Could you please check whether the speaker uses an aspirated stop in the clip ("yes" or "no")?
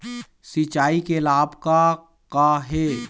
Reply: no